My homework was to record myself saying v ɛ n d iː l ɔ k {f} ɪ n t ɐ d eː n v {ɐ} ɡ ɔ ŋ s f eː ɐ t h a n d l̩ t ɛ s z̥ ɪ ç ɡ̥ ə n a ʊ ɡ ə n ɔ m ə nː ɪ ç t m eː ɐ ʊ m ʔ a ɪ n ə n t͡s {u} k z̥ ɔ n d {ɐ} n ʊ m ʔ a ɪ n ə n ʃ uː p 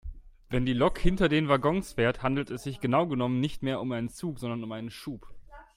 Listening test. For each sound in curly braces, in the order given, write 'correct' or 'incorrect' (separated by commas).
incorrect, incorrect, incorrect, correct